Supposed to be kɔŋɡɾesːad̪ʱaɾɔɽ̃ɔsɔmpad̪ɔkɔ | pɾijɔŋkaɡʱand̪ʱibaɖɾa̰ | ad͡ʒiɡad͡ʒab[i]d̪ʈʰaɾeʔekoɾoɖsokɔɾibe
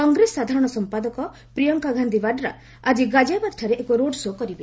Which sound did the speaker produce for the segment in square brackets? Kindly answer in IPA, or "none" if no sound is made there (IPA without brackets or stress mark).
a